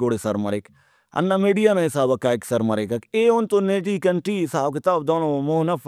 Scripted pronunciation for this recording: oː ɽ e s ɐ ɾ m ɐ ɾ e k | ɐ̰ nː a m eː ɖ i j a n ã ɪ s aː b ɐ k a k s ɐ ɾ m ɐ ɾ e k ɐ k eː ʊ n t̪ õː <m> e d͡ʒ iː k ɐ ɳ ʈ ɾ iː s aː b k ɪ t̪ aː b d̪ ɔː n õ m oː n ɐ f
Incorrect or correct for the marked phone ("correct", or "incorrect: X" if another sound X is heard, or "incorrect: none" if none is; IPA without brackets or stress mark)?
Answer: incorrect: n